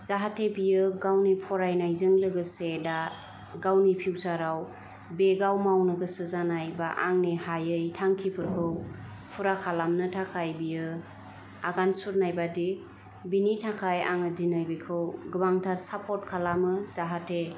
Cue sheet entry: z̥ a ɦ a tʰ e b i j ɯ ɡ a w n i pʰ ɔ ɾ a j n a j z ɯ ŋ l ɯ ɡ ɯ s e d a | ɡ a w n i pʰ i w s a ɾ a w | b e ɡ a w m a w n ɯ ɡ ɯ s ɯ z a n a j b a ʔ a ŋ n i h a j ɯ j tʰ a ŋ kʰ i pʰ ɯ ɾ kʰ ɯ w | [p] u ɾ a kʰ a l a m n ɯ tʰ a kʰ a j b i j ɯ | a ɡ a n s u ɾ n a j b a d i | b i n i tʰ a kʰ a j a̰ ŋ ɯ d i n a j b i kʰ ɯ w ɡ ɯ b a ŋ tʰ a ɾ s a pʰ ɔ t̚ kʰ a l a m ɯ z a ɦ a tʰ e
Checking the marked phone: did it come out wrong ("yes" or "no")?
yes